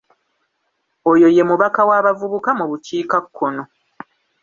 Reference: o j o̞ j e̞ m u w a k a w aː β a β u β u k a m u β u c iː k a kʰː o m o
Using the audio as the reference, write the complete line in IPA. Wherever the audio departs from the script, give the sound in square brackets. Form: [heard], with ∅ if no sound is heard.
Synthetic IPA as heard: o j o̞ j e̞ m u [β] a k a w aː β a [v] u β u k a m u β u c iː k a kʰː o [n] o